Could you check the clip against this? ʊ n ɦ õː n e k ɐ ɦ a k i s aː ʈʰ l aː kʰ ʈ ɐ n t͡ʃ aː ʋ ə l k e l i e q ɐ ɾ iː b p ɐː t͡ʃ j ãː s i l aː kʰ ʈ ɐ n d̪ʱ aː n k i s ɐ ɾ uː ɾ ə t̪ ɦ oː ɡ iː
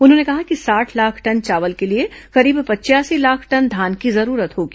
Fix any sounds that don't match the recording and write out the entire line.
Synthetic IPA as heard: ʊ n ɦ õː n e k ɐ ɦ a k i s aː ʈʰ l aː kʰ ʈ ɐ n t͡ʃ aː ʋ ə l k e l i e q ɐ ɾ iː b p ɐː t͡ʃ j aː s i l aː kʰ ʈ ɐ n d̪ʱ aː n k i z ɐ ɾ uː ɾ ə t̪ ɦ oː ɡ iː